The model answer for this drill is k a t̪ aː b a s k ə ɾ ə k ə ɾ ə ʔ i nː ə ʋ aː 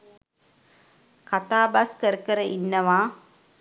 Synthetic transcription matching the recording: k a t̪ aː b a s k ə ɾ ə k ə ɾ ə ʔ i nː ə ʋ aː

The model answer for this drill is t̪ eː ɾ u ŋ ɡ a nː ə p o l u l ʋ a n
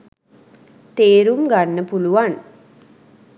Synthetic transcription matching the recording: t̪ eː ɾ u m ɡ a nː ə p u l u ʋ a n

